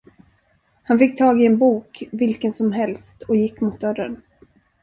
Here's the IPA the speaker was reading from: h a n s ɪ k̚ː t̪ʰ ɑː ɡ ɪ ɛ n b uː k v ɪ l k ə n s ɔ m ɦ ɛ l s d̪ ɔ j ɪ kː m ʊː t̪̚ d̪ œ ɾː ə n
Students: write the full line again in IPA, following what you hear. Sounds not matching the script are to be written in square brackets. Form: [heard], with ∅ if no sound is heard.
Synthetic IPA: h a n [f] ɪ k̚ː t̪ʰ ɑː ɡ ɪ ɛ n b uː k v ɪ l k ə n s ɔ m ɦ ɛ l s [t̪] ɔ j ɪ kː m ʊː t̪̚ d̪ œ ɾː ə n